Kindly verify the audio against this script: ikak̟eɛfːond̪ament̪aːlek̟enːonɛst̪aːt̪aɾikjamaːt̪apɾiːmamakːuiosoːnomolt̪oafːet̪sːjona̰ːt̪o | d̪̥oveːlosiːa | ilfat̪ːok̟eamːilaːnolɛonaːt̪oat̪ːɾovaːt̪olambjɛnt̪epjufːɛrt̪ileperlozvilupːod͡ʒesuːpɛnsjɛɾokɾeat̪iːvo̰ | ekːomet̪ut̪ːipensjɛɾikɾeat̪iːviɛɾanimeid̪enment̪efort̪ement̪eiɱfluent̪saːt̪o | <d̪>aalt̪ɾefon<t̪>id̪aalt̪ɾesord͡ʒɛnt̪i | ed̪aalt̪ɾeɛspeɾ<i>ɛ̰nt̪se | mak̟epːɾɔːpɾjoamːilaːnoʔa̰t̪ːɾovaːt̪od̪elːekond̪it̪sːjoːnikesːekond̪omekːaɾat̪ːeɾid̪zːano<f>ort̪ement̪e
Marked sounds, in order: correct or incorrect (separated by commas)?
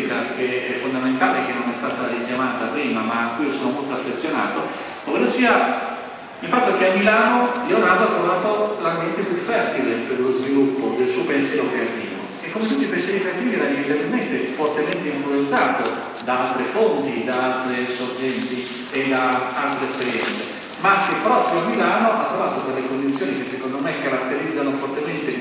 correct, correct, incorrect, correct